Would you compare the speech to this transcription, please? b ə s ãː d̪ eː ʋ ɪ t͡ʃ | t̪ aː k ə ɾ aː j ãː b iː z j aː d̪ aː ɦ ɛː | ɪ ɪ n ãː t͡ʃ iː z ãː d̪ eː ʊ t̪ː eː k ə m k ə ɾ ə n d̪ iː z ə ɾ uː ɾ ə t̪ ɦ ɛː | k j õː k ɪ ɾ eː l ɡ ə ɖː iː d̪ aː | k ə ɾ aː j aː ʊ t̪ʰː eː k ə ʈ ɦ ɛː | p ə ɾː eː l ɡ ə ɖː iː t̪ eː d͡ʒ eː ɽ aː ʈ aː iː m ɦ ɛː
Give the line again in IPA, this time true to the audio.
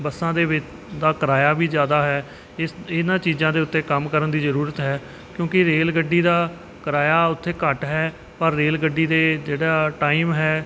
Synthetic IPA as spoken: b ə s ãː d̪ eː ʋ ɪ t͡ʃ | d̪ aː k ə ɾ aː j aː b iː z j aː d̪ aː ɦ ɛː | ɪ ɪ n ãː t͡ʃ iː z ãː d̪ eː ʊ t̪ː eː k ə m k ə ɾ ə n d̪ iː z ə ɾ uː ɾ ə t̪ ɦ ɛː | k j õː k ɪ ɾ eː l ɡ ə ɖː iː d̪ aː | k ə ɾ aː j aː ʊ t̪ʰː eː k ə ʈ ɦ ɛː | p ə ɾː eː l ɡ ə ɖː iː d̪ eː d͡ʒ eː ɽ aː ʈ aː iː m ɦ ɛː